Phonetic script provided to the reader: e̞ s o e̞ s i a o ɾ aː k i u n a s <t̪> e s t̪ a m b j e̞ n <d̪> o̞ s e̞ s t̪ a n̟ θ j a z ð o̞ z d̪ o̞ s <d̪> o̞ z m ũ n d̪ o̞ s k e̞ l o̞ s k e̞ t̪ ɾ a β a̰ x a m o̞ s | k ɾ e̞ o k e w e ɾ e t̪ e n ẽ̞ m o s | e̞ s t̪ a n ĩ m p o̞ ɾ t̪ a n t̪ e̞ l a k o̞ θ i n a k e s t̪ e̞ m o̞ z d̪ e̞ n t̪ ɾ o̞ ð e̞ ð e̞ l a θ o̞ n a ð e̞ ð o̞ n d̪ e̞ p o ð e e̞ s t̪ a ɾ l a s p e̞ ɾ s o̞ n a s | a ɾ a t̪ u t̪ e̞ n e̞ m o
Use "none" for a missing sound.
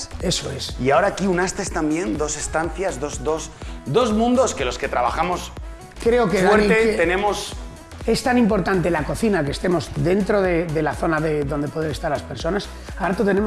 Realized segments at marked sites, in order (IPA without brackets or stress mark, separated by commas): t̪, d̪, d̪